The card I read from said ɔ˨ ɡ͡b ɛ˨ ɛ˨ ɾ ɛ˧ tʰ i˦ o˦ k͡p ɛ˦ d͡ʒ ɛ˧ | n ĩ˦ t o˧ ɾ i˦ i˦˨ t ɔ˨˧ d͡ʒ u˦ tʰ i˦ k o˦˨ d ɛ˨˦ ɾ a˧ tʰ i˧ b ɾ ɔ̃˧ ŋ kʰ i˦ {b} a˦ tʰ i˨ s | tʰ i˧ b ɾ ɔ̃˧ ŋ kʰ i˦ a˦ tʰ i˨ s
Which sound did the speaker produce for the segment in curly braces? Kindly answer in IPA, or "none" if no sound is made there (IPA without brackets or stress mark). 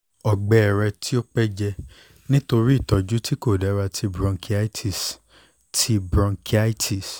none